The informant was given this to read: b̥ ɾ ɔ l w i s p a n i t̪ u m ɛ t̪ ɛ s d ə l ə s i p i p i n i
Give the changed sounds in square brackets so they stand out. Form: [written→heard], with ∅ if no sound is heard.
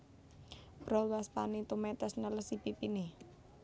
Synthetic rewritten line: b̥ ɾ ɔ l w [i→a] s p a n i t̪ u m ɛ t̪ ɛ s [d→n] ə l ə s i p i p i n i